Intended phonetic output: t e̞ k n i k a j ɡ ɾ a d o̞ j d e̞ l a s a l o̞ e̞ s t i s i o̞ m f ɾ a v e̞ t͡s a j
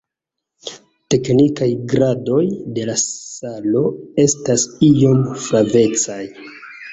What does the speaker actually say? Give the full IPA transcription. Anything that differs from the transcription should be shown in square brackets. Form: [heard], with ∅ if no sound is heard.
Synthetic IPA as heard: t e̞ k n i k a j ɡ ɾ a d o̞ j d e̞ l a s a l o̞ e̞ s t [a] s i o̞ m f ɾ a v e̞ t͡s a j